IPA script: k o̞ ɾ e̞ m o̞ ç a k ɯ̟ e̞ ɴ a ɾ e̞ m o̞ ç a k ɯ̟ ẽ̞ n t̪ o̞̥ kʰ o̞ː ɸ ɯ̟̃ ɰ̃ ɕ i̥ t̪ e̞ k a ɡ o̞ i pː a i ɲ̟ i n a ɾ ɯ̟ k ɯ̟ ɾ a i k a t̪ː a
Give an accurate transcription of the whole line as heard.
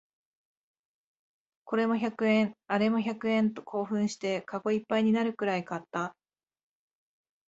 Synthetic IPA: k o̞ ɾ e̞ m o̞ ç a k ɯ̟ ẽ̞ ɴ a ɾ e̞ m o̞ ç a k ɯ̟ ẽ̞ n t̪ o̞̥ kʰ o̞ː ɸ ɯ̟̃ ɰ̃ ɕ i̥ t̪ e̞ k a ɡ o̞ i pː a i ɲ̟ i n a ɾ ɯ̟ k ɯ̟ ɾ a i k a t̪ː a